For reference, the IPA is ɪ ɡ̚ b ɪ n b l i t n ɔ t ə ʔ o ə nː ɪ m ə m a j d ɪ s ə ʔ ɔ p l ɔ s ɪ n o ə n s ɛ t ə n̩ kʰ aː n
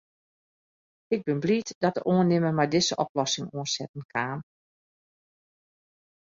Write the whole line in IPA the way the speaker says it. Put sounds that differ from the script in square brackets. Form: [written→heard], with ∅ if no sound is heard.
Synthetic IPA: ɪ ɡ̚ b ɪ n b l i t [n→d] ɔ t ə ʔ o ə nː ɪ m ə m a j d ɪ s ə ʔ ɔ p l ɔ s ɪ [n→ŋ] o ə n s ɛ t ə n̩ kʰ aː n